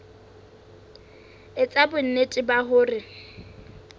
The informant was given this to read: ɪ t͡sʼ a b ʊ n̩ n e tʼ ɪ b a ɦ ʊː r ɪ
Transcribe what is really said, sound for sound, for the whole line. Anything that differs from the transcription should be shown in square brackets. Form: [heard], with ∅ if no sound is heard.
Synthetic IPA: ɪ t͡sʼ a b ʊ n̩ n e tʼ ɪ b a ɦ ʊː r ɪ